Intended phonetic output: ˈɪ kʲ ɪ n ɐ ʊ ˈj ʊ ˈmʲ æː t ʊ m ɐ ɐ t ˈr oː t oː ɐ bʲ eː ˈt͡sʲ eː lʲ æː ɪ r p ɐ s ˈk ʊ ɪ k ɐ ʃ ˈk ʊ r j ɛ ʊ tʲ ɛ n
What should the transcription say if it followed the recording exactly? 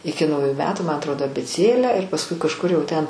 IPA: ˈɪ kʲ ɪ n ɐ ʊ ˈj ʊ ˈmʲ æː t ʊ m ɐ ɐ t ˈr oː d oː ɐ bʲ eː ˈt͡sʲ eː lʲ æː ɪ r p ɐ s ˈk ʊ ɪ k ɐ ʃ ˈk ʊ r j ɛ ʊ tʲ ɛ n